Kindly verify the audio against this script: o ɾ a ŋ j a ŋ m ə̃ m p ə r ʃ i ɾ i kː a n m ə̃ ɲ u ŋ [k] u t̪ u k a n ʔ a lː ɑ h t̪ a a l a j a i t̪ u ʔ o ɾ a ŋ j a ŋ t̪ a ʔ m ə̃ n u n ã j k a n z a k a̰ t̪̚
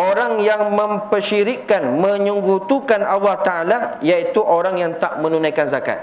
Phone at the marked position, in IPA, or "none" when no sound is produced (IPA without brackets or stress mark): ɡ